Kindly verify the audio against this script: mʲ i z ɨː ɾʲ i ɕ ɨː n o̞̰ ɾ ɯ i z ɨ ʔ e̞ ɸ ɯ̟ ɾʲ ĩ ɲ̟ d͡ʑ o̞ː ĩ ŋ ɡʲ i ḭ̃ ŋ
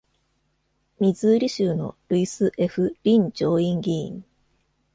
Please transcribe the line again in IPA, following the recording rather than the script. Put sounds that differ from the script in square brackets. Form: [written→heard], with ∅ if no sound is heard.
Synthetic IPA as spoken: mʲ i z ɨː ɾʲ i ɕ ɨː n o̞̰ ɾ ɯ i [z→s] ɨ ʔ e̞ ɸ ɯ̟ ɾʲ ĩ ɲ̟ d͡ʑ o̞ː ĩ ŋ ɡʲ i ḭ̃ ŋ